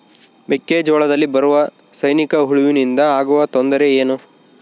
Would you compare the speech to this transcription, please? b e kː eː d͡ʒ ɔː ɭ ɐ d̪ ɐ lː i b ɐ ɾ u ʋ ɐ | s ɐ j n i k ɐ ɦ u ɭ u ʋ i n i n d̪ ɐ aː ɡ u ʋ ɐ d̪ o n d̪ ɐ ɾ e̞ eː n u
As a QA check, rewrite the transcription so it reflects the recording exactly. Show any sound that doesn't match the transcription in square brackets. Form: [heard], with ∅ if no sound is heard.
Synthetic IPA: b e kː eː d͡ʒ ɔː ɭ ɐ d̪ ɐ lː i b ɐ ɾ u ʋ ɐ | s ɐ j n i k ɐ ɦ u ɭ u ʋ i n i n d̪ ɐ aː ɡ u ʋ ɐ [t̪] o n d̪ ɐ ɾ e̞ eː n u